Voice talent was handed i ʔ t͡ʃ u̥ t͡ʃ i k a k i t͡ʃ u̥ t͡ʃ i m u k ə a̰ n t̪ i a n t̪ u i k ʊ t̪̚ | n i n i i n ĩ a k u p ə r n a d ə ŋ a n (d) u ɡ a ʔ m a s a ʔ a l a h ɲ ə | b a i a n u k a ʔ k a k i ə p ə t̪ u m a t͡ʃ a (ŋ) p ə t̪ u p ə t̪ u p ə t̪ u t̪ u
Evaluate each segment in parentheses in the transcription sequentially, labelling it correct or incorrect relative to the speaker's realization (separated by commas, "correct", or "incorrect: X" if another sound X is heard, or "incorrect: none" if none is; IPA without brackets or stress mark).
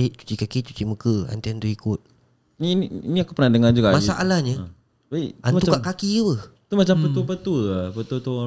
incorrect: d͡ʒ, incorrect: m